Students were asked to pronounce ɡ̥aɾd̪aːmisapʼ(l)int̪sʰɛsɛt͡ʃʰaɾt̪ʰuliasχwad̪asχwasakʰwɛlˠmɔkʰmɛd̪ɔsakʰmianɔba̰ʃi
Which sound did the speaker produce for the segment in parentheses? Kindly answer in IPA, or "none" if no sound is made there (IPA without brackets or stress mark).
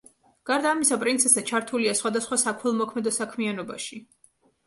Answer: ɾ